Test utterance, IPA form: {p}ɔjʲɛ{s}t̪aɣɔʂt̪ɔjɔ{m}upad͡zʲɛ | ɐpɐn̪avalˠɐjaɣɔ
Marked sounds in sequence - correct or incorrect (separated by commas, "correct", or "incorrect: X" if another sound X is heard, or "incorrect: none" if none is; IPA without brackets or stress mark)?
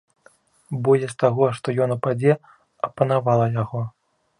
incorrect: b, correct, incorrect: n